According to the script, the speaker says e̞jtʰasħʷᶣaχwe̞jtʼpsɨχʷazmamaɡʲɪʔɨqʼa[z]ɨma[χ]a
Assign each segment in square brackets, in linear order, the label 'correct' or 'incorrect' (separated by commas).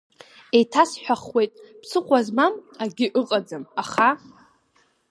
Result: incorrect, correct